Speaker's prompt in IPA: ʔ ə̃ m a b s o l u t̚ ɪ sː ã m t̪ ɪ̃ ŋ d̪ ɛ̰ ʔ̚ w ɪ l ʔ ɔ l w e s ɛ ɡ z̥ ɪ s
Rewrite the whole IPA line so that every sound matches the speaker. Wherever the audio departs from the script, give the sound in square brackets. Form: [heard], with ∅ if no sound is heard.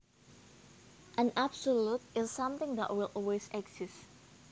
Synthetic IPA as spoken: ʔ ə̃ [n] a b s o l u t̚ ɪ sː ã m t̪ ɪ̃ ŋ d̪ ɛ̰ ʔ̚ w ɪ l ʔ ɔ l w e s ɛ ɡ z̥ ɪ s